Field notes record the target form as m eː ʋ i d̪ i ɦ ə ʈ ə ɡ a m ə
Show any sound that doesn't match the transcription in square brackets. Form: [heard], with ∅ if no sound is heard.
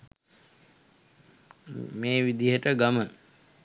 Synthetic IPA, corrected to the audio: m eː ʋ i d̪ i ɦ ə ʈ ə ɡ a m ə